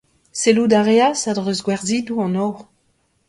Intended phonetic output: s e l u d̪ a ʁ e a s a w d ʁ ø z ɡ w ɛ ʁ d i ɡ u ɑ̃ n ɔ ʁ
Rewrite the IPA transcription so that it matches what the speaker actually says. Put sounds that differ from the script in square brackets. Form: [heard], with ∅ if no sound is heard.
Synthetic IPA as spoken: s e l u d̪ a ʁ e a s a [∅] d ʁ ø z ɡ w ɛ ʁ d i [d] u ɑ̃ n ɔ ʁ